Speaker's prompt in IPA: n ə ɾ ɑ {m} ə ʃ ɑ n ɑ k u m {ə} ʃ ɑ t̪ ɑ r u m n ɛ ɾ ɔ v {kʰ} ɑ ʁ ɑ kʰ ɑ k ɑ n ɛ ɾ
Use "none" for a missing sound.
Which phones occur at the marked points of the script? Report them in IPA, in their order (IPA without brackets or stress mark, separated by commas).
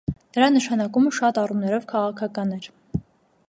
n, ə, kʰ